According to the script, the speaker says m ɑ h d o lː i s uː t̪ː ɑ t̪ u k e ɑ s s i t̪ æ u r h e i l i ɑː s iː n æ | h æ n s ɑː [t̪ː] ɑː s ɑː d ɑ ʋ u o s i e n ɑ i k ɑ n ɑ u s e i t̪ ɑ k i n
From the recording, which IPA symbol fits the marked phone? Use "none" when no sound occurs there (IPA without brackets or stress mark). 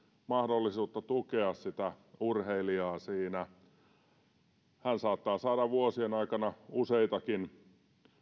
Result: t̪ː